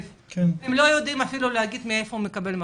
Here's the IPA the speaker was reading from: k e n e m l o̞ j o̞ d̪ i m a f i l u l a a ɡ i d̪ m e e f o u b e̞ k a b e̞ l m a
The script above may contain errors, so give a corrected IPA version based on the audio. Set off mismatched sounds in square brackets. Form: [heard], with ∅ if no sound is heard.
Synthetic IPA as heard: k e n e m l o̞ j o̞ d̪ i m a f i l u l [e] a ɡ i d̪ m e e f o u [m] e̞ k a b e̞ l m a